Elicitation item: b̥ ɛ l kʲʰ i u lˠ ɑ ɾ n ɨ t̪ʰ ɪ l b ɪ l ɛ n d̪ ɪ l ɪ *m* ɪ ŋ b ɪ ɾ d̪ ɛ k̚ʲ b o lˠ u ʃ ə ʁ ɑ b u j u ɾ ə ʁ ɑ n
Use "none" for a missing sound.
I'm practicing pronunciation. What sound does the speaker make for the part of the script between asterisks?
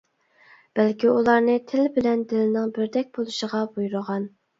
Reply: n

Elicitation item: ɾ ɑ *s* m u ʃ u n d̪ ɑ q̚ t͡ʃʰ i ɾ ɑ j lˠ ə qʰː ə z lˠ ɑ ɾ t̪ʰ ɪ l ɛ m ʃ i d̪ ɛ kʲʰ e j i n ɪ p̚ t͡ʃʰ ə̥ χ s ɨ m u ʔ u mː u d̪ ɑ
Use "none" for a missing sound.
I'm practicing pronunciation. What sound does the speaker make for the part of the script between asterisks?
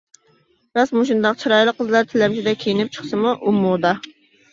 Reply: s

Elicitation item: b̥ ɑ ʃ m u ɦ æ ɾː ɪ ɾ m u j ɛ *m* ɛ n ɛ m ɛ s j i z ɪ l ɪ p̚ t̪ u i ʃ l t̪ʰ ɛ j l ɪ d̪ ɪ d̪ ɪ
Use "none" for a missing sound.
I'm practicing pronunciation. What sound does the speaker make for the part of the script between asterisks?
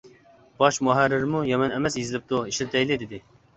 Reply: m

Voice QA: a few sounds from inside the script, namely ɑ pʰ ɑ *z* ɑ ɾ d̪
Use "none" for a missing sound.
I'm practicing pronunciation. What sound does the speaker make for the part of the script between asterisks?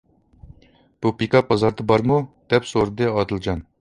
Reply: z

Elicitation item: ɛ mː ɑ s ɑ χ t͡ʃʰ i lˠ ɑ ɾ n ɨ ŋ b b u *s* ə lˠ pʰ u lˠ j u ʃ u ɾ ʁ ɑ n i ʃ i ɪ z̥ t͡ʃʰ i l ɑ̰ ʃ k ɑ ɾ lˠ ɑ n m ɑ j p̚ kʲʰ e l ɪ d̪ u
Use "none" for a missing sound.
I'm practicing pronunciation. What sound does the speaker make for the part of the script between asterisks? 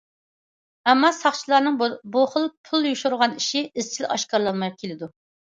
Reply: χ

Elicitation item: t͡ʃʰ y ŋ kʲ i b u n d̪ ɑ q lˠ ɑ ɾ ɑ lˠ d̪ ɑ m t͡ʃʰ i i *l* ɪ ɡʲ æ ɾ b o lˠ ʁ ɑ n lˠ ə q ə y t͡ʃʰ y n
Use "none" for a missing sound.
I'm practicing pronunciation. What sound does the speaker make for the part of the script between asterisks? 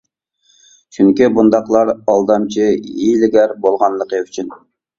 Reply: l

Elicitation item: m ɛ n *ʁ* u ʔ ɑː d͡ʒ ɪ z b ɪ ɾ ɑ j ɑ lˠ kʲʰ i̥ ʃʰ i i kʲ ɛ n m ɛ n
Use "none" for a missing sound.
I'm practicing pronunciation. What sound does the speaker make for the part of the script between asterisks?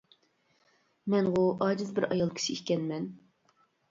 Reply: ʁ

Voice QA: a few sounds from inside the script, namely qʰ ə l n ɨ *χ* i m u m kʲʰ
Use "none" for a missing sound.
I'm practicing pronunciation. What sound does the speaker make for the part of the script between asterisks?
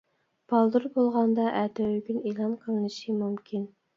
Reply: ʃ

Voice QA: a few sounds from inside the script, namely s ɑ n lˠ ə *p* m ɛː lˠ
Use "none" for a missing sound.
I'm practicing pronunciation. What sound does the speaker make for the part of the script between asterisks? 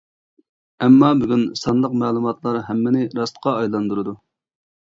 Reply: q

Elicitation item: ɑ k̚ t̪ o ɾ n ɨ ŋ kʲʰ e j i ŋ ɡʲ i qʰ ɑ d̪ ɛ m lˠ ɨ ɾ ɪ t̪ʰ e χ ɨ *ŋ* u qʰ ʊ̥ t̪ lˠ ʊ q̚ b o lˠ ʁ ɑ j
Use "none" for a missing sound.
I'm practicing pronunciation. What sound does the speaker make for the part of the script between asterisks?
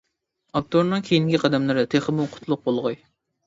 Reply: m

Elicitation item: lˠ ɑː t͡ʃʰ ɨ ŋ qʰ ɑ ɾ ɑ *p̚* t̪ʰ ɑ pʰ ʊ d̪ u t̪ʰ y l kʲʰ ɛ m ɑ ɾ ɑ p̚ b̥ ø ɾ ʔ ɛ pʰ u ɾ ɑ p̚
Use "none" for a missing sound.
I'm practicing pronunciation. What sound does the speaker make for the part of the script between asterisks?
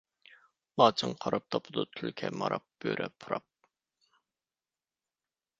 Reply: p̚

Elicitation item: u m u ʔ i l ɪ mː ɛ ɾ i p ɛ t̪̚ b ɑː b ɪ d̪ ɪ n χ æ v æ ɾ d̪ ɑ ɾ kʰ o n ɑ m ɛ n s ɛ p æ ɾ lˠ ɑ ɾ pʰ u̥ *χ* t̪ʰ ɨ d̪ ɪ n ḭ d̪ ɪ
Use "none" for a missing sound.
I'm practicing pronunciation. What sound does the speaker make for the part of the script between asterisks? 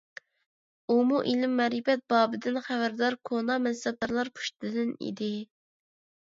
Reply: ʃ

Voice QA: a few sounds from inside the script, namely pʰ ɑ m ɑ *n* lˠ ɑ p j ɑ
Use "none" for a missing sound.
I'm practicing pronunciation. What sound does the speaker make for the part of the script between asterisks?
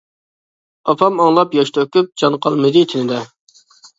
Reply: ŋ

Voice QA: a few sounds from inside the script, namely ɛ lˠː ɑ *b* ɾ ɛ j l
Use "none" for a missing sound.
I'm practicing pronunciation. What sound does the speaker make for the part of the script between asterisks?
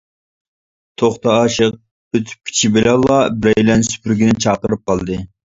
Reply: b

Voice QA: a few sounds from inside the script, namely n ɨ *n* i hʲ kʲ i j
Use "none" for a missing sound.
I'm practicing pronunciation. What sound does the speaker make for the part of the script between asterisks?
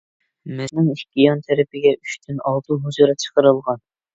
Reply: ŋ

